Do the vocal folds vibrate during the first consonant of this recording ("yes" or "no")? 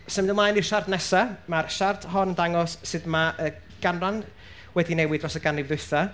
no